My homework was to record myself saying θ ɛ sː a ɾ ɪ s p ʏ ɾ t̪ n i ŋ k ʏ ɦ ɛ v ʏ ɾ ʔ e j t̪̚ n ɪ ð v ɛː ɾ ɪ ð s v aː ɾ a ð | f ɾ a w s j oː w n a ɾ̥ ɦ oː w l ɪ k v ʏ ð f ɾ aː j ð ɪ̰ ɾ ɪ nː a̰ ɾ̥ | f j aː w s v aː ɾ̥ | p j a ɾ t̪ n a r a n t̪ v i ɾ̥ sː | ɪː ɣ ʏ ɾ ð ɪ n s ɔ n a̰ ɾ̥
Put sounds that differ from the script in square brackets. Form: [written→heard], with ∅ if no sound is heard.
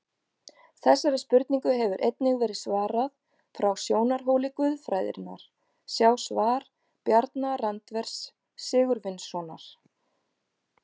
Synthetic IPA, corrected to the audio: θ ɛ sː a ɾ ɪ s p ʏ ɾ t̪ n i ŋ k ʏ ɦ ɛ v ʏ ɾ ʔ e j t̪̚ n ɪ [ð→ɣ] v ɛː ɾ ɪ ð s v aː ɾ a ð | f ɾ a w s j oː w n a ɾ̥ ɦ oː w l ɪ k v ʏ ð f ɾ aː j ð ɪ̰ ɾ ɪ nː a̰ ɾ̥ | [f→s] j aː w s v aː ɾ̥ | p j a ɾ t̪ n a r a n t̪ v [i→ɛ] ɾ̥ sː | ɪː ɣ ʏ ɾ [ð→v] ɪ n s ɔ n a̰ ɾ̥